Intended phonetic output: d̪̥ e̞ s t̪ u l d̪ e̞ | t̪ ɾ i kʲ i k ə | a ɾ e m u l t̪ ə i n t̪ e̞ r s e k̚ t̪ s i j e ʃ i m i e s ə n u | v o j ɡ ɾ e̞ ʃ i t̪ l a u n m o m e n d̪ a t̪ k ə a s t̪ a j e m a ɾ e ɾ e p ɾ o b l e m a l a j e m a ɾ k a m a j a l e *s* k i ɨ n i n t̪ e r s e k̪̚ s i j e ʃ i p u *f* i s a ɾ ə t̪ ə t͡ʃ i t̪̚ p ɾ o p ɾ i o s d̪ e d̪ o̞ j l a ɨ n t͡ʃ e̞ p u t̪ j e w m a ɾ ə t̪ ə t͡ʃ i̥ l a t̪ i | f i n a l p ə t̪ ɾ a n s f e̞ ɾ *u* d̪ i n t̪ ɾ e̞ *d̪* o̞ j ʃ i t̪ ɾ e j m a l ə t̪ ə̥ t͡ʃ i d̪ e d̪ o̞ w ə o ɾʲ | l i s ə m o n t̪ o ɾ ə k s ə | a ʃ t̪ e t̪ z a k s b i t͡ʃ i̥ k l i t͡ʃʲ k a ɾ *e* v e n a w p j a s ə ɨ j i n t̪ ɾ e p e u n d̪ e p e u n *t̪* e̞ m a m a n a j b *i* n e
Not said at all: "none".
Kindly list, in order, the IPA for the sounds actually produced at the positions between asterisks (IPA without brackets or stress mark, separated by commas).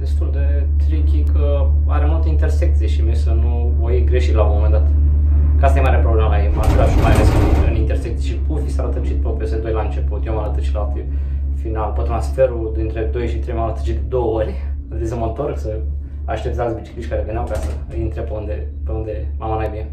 s, f, u, d̪, e, d̪, i